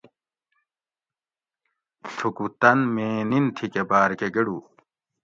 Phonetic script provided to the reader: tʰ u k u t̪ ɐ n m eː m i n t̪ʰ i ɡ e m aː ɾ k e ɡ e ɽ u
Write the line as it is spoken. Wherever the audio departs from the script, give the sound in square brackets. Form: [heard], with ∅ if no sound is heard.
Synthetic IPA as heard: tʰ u k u t̪ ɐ n m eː [n] i n t̪ʰ i [k] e [b] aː ɾ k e ɡ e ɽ u